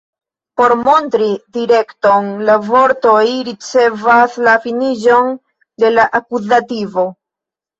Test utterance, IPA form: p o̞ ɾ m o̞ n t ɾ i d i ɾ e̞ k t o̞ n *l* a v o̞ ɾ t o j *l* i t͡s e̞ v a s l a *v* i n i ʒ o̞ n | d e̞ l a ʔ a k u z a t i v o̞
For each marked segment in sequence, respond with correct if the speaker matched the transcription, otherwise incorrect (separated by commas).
correct, incorrect, incorrect